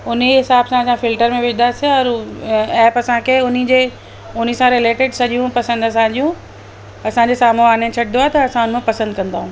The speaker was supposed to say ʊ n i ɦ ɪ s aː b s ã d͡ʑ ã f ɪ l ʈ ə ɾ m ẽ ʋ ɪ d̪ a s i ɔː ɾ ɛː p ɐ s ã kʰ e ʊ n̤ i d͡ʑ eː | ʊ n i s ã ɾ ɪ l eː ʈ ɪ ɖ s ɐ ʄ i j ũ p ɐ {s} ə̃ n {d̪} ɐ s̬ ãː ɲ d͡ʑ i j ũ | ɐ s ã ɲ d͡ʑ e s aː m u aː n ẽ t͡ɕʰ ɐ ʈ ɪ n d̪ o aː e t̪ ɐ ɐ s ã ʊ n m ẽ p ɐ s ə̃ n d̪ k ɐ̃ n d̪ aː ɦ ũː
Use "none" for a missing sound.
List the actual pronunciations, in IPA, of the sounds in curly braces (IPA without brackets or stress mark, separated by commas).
s, d̪